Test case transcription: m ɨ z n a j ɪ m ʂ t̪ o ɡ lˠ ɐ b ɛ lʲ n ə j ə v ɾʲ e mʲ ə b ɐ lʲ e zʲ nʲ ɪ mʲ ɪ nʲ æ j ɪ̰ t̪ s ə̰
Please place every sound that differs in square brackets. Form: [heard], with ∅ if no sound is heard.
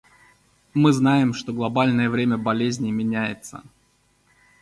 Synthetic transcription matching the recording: m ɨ z n a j ɪ m ʂ t̪ o ɡ lˠ ɐ b [a] lʲ n ə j ə v ɾʲ e mʲ ə b ɐ lʲ e zʲ nʲ ɪ mʲ ɪ nʲ æ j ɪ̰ t̪ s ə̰